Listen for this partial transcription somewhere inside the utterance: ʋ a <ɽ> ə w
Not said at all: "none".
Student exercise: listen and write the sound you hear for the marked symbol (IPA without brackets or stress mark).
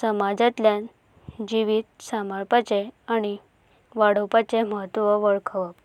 ɽ